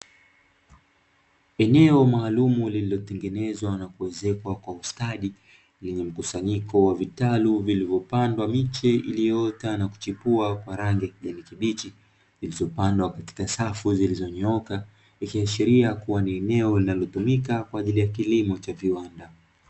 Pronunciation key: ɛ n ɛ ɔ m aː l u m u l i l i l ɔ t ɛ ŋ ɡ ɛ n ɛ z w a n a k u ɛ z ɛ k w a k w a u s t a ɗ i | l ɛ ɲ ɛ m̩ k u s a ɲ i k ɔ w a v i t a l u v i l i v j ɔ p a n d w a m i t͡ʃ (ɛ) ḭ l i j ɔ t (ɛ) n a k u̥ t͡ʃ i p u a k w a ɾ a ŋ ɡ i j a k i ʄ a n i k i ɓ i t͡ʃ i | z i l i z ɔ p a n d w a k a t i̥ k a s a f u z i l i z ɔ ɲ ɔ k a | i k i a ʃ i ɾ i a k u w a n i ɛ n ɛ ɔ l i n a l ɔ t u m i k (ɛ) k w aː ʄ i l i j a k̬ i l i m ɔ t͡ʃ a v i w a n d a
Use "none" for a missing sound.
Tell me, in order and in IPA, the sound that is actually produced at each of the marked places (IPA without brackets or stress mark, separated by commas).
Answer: ɛ, a, a